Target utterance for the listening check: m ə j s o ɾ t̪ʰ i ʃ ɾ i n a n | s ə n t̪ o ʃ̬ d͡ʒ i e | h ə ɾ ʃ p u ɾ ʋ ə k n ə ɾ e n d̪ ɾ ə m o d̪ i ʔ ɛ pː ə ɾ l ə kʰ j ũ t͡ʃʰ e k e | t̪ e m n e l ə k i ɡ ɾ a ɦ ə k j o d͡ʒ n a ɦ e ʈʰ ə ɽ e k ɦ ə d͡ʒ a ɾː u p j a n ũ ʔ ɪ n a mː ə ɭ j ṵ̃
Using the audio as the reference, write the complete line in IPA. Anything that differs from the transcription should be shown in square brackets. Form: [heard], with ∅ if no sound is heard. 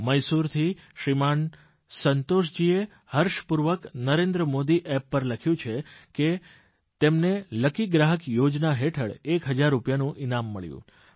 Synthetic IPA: m ə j s [u] ɾ t̪ʰ i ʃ ɾ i [m] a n | s ə n t̪ o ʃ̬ d͡ʒ i e | h ə ɾ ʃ p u ɾ ʋ ə k n ə ɾ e n d̪ ɾ ə m o d̪ i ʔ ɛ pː ə ɾ l ə kʰ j ũ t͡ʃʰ e k e | t̪ e m n e l ə k i ɡ ɾ a ɦ ə k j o d͡ʒ n a ɦ e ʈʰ ə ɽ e k ɦ ə d͡ʒ a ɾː u p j a n ũ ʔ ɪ n a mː ə ɭ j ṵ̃